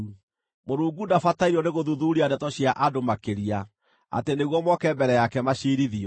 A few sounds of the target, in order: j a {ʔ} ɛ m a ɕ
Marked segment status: incorrect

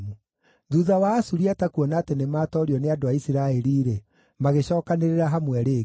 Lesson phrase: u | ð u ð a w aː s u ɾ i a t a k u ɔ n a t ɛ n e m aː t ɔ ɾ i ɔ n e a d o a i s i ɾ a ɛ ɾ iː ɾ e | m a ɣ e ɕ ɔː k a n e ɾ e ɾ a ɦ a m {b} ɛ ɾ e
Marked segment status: incorrect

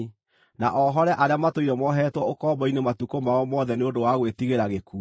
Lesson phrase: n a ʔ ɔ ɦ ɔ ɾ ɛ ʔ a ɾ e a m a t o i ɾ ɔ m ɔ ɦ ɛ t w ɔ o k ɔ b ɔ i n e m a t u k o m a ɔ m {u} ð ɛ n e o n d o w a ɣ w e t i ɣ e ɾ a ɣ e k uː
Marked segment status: incorrect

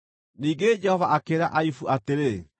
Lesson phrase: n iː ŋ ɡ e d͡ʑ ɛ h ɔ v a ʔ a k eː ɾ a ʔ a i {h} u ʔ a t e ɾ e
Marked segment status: incorrect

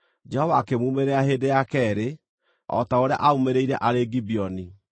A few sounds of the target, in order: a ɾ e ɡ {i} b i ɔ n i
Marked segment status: correct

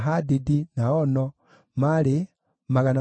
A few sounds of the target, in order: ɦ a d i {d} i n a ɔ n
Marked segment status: correct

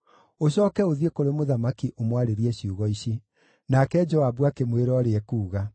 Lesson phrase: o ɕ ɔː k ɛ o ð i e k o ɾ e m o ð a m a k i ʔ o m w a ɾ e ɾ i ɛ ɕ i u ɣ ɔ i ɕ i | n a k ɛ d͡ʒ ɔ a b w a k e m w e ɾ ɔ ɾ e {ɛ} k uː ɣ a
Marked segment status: correct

